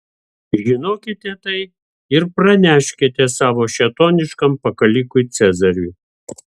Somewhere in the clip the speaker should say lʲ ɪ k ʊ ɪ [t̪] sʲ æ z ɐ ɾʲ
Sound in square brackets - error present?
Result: no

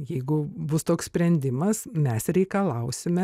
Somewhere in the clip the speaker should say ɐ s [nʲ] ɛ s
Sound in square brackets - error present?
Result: yes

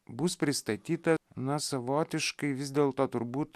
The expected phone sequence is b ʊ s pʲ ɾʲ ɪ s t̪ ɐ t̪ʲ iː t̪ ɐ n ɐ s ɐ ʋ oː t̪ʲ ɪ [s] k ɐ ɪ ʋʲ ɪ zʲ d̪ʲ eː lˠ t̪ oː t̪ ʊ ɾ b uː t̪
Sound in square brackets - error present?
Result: yes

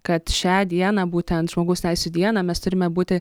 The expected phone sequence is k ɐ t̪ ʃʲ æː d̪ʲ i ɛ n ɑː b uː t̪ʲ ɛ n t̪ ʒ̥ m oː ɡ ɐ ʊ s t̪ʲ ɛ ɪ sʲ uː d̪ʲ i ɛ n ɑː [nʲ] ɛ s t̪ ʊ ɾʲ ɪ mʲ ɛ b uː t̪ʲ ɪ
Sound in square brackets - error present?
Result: yes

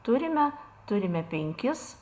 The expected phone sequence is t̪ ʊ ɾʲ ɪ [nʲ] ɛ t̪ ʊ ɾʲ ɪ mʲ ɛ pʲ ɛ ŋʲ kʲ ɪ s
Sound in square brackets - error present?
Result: yes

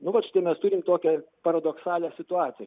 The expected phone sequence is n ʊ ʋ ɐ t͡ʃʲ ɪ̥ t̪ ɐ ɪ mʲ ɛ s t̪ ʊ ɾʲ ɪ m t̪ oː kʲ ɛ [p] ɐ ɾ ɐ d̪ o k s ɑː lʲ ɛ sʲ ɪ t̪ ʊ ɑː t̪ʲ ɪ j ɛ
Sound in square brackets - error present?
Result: no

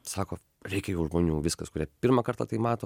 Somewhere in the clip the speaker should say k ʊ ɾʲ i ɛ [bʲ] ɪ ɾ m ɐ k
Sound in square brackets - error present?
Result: yes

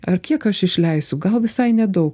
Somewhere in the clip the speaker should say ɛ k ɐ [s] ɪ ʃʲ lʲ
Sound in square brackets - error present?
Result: yes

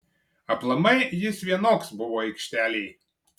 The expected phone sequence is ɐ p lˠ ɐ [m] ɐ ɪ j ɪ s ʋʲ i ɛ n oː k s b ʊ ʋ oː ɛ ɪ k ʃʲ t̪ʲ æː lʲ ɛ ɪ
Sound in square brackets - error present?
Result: no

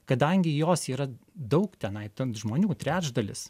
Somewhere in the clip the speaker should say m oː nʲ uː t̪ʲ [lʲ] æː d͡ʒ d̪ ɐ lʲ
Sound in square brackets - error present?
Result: yes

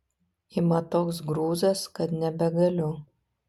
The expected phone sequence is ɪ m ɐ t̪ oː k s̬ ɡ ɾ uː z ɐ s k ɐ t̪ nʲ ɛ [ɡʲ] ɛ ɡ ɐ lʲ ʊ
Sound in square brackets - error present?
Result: yes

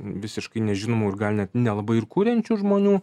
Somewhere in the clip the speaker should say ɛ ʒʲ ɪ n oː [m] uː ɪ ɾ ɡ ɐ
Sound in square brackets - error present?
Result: no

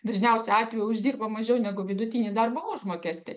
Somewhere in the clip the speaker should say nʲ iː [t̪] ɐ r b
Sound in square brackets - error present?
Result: yes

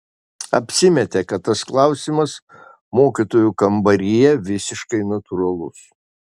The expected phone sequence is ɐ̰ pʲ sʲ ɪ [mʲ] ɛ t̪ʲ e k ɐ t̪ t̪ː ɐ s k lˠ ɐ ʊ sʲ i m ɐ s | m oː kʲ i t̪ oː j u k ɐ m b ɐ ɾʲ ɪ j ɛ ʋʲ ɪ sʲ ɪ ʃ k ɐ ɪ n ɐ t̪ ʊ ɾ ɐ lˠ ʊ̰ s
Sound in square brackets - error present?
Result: no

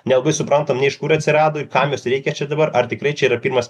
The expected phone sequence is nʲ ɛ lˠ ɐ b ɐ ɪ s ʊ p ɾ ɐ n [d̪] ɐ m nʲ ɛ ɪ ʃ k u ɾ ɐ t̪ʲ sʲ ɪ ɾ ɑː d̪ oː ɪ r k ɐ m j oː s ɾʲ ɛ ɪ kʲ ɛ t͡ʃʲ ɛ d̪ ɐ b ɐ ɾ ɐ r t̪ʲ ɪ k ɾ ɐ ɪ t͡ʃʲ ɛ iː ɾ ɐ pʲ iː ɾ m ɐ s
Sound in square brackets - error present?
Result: yes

